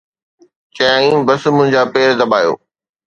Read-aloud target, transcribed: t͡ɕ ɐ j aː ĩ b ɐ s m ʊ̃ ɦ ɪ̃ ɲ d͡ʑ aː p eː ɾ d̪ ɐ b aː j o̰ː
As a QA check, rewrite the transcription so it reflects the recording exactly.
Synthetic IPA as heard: t͡ɕ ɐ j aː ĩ b ɐ s m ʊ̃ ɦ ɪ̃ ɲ d͡ʑ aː p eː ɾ d̪ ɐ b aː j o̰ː

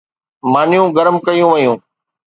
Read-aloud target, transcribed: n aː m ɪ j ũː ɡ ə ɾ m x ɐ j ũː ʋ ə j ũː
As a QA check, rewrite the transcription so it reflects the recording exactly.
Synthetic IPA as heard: m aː n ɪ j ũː ɡ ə ɾ m k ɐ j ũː ʋ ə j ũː

